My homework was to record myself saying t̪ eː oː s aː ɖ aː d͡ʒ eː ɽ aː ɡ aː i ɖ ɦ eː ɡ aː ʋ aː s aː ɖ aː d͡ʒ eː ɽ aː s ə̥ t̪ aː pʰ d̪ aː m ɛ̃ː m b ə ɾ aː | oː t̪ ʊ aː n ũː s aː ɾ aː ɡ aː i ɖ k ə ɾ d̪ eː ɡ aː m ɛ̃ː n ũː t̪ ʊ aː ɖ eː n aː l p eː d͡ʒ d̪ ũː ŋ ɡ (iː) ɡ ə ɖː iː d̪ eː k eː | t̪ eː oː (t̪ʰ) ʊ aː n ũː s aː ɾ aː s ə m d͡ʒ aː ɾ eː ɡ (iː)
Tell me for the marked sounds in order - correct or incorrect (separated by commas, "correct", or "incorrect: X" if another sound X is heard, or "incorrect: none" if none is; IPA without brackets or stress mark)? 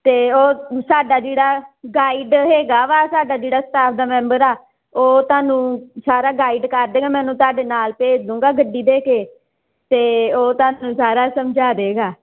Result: incorrect: aː, incorrect: t̪, incorrect: aː